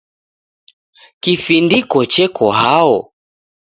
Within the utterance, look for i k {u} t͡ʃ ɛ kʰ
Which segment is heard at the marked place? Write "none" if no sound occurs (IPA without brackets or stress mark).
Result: ɔ